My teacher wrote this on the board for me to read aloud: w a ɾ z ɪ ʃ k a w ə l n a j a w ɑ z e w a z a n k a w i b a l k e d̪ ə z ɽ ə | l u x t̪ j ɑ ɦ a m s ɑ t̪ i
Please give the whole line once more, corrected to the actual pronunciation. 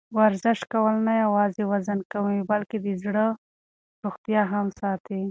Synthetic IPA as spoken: w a ɾ z ɪ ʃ k a w ə l n a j a w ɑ z e w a z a n k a w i b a l k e d̪ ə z ɽ ə | ɾ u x t̪ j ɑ ɦ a m s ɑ t̪ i